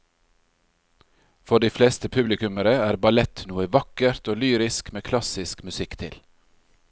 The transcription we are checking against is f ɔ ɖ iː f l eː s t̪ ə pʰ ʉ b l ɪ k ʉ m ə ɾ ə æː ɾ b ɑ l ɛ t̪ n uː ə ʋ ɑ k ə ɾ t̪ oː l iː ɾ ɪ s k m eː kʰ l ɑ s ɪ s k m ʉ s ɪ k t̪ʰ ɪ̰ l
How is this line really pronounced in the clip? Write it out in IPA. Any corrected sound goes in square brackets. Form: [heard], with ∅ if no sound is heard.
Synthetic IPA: f ɔ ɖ iː f l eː s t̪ ə pʰ ʉ b l ɪ k ʉ m ə ɾ ə æː ɾ b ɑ l ɛ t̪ n uː ə ʋ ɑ k ə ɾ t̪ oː l [yː] ɾ ɪ s k m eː kʰ l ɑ s ɪ s k m ʉ s ɪ k t̪ʰ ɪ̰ l